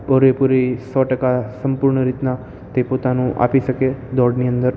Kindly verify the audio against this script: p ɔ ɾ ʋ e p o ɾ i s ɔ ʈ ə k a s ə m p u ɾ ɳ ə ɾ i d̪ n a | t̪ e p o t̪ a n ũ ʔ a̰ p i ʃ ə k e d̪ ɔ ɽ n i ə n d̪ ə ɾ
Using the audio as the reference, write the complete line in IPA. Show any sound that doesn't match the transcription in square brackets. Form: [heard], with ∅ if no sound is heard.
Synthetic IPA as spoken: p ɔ ɾ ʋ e p [u] ɾ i s ɔ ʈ ə k a s ə m p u ɾ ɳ ə ɾ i [t̪] n a | t̪ e p o t̪ a n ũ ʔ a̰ p i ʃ ə k e d̪ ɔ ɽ n i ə n d̪ ə ɾ